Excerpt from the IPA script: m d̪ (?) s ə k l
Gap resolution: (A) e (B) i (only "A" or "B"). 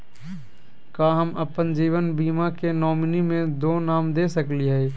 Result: A